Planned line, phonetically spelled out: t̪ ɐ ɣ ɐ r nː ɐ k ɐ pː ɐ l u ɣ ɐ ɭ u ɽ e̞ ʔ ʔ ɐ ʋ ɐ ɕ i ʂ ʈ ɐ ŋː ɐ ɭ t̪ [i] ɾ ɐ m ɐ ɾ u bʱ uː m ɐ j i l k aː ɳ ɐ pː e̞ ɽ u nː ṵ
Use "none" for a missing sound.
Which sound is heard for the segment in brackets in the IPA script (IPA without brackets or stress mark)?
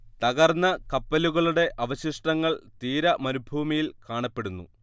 iː